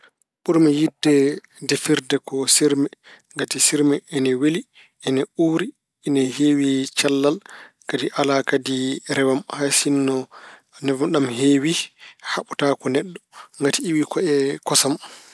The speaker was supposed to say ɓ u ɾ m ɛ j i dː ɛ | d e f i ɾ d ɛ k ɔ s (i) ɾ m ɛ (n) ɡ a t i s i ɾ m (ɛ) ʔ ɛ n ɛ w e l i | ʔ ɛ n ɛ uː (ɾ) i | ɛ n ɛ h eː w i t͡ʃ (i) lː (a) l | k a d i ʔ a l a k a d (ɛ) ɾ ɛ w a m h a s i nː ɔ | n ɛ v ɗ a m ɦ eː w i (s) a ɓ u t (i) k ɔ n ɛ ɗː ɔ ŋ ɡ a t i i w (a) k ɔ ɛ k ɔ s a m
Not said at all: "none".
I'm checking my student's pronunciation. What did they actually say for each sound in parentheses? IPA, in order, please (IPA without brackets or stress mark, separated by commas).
i, ŋ, ɛ, ɾ, a, a, i, h, a, i